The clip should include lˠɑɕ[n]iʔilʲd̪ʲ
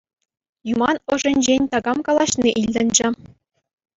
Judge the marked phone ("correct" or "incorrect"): correct